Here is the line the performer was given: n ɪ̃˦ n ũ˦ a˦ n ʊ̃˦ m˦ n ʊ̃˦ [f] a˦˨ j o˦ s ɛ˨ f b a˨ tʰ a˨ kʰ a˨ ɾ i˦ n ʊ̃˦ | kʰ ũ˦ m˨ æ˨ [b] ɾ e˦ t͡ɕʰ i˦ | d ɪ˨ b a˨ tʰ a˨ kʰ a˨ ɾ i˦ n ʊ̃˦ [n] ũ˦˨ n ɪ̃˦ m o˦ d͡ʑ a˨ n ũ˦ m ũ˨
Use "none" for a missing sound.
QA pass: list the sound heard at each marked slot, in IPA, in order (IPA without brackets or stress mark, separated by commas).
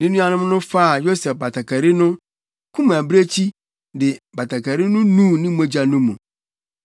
f, b, n